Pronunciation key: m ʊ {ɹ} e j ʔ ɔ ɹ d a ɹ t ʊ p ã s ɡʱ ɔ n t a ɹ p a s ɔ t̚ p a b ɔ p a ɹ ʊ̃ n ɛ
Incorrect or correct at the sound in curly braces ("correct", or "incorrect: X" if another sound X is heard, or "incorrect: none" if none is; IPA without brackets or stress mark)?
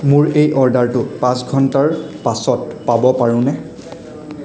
correct